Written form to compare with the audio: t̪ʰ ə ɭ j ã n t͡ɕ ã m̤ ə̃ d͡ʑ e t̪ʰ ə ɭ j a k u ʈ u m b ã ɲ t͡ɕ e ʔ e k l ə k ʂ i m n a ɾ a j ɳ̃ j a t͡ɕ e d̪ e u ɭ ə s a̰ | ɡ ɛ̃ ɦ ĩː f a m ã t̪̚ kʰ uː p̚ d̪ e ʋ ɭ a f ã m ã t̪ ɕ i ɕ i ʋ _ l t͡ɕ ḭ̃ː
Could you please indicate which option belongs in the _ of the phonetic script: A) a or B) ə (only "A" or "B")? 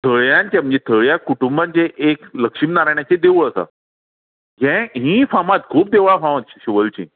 B